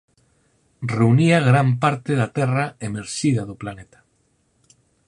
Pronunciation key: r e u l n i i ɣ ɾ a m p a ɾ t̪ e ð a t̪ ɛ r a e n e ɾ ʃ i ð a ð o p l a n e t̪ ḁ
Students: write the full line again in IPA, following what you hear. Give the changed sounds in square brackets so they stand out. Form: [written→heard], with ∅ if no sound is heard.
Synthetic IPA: r e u [l→∅] n i [i→a] ɣ ɾ a m p a ɾ t̪ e ð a t̪ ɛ r a e [n→m] e ɾ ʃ i ð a ð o p l a n e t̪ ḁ